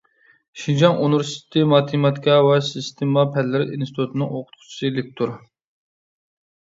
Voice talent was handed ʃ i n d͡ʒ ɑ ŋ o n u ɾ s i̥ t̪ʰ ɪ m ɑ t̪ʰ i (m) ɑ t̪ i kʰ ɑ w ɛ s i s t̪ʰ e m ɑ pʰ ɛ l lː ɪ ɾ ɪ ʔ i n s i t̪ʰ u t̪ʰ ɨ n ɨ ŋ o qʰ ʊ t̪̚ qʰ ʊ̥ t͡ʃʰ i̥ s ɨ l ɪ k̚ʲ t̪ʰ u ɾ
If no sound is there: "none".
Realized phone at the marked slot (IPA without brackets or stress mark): m